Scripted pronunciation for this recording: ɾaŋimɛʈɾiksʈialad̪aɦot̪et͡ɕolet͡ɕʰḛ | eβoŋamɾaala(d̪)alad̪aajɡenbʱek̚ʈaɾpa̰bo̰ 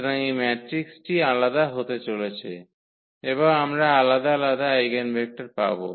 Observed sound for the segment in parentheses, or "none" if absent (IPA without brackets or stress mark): d̪